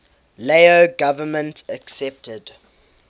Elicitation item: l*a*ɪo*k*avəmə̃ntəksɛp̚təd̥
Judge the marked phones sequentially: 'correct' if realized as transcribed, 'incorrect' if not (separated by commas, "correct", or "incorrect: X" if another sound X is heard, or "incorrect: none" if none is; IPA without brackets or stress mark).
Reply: incorrect: e, incorrect: ɡ